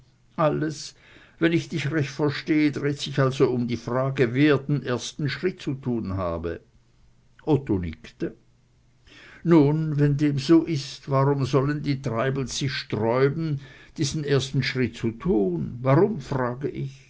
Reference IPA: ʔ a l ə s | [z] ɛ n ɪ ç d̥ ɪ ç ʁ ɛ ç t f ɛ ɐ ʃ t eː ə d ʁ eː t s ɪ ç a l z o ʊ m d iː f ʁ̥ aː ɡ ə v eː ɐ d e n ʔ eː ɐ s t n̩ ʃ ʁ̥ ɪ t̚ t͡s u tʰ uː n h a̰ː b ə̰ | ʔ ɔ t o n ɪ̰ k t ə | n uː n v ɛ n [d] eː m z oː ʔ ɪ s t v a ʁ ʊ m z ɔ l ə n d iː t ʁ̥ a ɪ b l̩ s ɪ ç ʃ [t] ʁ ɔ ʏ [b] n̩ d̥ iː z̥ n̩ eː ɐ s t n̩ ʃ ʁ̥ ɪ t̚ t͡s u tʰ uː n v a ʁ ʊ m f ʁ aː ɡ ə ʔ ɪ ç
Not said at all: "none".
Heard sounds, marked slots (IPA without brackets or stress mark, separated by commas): v, d, t, b